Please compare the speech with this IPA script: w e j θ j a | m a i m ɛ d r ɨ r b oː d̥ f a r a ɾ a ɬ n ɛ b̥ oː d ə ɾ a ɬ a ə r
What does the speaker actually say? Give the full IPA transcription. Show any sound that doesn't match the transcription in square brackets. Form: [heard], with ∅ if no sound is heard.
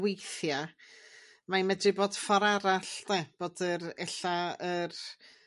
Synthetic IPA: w e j θ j a | m a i m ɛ d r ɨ [∅] b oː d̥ f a [ɾ] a ɾ a ɬ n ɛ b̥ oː d ə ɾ [ɛ] ɬ a ə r